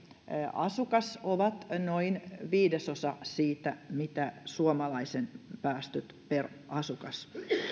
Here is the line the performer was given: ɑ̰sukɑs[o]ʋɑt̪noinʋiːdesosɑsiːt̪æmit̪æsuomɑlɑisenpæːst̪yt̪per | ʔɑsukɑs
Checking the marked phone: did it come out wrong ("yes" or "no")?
no